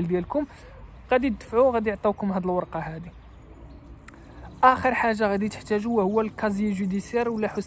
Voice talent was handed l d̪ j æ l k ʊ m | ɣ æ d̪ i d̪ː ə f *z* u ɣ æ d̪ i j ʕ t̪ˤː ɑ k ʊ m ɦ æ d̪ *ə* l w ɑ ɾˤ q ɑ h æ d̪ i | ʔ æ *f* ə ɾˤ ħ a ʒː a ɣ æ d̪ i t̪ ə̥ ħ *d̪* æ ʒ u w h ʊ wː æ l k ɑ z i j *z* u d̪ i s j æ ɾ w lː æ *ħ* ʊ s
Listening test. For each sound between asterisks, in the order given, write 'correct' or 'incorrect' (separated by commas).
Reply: incorrect, correct, incorrect, incorrect, incorrect, correct